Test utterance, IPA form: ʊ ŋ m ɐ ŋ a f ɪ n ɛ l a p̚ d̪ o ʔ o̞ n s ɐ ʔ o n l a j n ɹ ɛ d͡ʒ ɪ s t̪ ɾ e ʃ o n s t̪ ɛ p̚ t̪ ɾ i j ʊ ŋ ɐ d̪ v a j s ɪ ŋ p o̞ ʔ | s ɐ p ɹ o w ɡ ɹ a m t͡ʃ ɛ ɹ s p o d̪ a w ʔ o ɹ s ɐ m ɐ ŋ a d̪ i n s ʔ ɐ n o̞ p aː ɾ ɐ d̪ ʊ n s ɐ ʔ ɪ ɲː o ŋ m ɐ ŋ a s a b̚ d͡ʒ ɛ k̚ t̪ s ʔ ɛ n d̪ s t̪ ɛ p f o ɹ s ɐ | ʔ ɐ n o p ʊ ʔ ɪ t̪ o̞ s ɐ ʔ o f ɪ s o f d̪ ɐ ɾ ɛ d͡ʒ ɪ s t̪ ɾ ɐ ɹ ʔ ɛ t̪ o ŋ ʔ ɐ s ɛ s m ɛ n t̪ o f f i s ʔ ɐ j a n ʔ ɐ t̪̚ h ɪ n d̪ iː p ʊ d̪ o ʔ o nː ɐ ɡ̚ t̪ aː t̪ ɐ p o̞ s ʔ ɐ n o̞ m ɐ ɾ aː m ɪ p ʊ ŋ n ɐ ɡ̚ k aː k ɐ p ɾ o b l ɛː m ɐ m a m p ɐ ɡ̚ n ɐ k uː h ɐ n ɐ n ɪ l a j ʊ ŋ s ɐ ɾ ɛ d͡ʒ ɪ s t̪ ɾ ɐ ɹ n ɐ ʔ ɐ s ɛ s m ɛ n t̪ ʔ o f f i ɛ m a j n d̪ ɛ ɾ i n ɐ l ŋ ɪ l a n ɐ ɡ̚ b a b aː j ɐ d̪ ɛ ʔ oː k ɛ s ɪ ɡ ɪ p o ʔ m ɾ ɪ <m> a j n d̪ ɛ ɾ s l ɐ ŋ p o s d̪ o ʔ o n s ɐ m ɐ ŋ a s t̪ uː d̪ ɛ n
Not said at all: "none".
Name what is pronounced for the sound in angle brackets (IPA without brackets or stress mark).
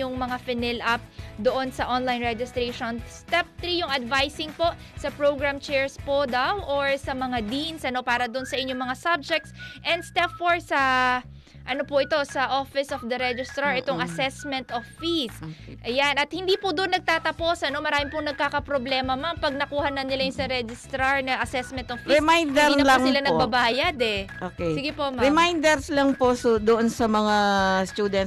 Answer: m